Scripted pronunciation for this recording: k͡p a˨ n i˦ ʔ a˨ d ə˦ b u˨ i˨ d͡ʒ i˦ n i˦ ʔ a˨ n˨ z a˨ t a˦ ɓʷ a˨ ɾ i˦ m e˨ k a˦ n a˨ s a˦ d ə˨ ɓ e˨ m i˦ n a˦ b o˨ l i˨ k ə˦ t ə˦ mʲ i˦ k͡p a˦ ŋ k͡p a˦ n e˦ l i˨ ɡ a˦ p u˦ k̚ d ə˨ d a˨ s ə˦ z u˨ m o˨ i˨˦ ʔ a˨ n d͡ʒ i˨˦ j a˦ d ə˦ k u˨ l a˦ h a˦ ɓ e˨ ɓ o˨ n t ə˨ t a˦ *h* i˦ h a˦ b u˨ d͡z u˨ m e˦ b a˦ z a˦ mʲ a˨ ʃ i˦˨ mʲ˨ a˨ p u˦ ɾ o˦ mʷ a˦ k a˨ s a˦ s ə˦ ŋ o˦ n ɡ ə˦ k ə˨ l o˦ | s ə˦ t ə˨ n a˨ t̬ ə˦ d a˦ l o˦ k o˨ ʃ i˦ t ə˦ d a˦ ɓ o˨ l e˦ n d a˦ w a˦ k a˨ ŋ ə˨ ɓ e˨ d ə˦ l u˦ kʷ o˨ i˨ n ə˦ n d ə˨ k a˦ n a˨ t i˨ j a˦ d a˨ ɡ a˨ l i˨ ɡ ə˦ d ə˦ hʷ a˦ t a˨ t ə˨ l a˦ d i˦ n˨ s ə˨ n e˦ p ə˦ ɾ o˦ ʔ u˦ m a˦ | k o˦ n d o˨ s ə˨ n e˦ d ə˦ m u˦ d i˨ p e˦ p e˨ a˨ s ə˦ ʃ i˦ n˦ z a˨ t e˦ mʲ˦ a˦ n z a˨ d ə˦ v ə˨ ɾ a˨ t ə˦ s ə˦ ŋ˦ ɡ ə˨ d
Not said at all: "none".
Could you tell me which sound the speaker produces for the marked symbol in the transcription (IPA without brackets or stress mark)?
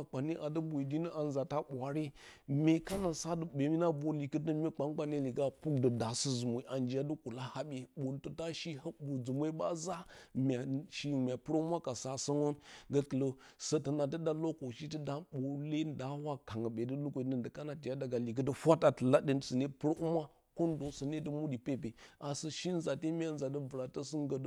ʃ